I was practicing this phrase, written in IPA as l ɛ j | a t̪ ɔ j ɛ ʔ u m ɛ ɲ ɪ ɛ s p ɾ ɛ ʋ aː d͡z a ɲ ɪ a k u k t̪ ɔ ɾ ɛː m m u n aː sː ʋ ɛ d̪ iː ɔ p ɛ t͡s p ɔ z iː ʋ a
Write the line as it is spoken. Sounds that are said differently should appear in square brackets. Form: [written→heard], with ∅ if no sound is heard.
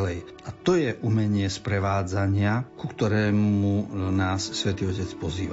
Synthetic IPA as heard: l ɛ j | a t̪ ɔ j ɛ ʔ u m ɛ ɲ ɪ ɛ s p ɾ ɛ ʋ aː d͡z a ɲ ɪ a k u k t̪ ɔ ɾ ɛː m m u n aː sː ʋ ɛ [d̪→t̪] iː ɔ [p→c] ɛ t͡s p ɔ z iː ʋ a